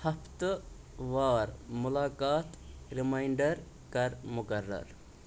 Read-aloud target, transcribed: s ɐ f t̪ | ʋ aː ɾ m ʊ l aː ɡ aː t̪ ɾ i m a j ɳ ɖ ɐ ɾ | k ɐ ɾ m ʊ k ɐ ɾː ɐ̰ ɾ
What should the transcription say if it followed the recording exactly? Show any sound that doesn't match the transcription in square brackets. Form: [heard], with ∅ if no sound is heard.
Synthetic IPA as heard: [h] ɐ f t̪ | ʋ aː ɾ m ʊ l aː [k] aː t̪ ɾ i m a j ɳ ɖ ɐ ɾ | k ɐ ɾ m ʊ k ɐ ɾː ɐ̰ ɾ

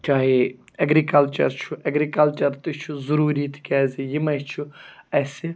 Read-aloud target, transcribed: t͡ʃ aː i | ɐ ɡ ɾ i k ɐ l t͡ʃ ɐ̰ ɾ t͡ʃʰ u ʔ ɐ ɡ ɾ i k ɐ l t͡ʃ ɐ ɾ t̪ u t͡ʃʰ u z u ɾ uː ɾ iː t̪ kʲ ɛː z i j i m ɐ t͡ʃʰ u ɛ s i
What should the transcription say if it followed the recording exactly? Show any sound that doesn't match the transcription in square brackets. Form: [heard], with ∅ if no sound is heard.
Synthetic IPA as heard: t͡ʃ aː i | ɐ ɡ ɾ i k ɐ l t͡ʃ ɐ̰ ɾ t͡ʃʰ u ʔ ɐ ɡ ɾ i k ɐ l t͡ʃ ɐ ɾ t̪ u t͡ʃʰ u z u ɾ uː ɾ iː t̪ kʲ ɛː z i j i m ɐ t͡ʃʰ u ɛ s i

